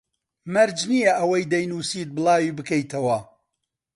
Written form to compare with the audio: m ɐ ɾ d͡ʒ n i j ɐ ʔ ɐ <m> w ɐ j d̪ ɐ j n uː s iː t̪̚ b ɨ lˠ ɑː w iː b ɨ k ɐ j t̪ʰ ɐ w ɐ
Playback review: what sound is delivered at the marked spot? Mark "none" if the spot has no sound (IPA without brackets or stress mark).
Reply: none